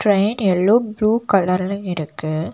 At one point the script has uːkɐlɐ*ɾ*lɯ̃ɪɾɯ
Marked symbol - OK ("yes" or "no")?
yes